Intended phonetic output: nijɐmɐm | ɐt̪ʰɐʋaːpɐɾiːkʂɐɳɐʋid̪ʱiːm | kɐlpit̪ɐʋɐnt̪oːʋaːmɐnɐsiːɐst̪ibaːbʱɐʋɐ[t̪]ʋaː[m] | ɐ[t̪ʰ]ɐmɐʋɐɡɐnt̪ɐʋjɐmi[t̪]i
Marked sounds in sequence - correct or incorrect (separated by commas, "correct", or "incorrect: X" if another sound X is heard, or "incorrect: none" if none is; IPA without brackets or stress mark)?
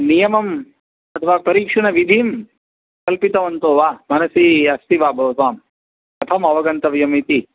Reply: correct, correct, correct, correct